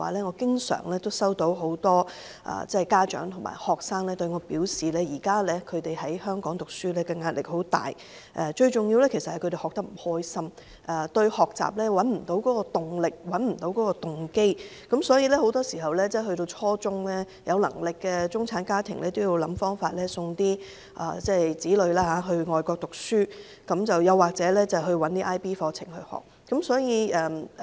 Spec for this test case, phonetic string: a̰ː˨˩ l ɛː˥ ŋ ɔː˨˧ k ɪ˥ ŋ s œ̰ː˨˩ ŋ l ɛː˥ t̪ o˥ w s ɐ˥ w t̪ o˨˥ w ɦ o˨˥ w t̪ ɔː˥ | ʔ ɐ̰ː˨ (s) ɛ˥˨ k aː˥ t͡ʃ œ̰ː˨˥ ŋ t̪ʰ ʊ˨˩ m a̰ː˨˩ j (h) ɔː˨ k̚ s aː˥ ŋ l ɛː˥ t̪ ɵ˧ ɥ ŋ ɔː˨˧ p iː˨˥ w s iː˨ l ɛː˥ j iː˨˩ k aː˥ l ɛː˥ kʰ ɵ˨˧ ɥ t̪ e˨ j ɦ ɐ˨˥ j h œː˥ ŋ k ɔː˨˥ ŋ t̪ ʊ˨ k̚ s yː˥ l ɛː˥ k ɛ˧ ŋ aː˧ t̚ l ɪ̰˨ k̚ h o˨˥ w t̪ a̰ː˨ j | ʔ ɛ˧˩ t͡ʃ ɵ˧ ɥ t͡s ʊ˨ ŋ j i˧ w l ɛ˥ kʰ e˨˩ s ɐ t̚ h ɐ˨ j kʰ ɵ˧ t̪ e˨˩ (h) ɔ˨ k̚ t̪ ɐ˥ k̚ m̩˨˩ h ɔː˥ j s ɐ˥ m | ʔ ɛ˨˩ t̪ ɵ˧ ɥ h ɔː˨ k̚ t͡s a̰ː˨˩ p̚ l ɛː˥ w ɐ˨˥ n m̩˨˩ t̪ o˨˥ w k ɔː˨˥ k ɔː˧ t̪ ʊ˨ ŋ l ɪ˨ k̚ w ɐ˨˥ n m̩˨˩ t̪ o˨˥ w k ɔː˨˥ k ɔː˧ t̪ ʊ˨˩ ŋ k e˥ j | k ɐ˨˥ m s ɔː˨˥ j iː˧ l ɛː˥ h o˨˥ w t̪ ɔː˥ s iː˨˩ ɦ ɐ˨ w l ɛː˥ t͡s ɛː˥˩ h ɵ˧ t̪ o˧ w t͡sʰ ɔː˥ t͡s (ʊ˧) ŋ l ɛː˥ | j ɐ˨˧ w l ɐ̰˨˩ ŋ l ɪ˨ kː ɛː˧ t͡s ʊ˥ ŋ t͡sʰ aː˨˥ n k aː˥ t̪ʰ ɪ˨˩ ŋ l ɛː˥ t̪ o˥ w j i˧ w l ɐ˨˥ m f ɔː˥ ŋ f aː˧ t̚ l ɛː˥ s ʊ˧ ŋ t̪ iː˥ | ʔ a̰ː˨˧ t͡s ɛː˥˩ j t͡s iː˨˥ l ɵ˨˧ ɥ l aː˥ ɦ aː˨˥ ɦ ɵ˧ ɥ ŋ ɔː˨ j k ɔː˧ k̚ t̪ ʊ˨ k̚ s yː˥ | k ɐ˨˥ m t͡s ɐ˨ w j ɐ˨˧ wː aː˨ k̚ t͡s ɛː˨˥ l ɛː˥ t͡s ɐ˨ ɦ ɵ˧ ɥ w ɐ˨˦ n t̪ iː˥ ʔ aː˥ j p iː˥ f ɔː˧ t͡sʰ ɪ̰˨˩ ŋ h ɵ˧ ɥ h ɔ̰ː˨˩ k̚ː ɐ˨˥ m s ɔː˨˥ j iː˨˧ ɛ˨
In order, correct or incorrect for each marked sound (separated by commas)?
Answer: incorrect, correct, correct, incorrect